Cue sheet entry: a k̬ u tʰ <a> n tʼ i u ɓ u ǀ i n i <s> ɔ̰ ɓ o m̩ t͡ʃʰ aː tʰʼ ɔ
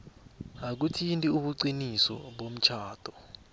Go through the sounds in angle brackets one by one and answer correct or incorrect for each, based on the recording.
incorrect: i, correct

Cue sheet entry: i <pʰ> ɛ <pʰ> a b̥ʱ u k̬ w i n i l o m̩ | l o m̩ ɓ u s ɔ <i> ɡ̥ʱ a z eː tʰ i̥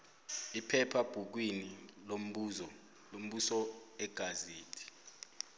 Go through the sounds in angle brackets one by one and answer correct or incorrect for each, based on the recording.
correct, correct, incorrect: ɛ

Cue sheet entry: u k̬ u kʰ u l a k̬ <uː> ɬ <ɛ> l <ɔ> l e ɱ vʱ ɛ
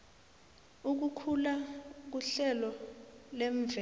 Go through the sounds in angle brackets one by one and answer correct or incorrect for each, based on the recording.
incorrect: u, correct, correct

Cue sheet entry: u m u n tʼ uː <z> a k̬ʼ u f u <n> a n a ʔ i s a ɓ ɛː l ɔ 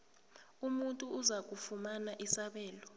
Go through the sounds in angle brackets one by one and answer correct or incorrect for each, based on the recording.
correct, incorrect: m

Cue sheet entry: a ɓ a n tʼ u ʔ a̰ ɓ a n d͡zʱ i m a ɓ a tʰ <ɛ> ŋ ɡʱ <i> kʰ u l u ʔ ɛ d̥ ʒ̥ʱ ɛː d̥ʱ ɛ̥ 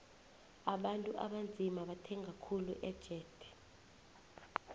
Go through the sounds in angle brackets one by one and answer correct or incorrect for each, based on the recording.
correct, incorrect: a

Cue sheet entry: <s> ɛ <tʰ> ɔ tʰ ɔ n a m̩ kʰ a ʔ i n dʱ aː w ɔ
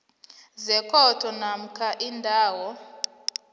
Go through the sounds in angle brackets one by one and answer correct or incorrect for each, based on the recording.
incorrect: z, incorrect: kʰ

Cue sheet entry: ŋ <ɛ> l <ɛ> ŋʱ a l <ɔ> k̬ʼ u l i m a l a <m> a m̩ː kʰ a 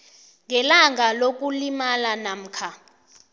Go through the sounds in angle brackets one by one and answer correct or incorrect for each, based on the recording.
correct, incorrect: a, incorrect: o, incorrect: n

